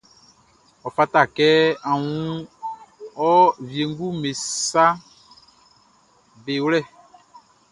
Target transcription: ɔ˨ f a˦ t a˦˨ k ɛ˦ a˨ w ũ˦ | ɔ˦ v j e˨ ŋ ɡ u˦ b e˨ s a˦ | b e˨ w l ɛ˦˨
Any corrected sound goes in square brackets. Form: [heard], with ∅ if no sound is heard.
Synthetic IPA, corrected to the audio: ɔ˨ f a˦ t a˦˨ k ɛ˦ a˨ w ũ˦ | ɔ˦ v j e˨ ŋ ɡ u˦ [m] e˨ s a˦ | b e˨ w l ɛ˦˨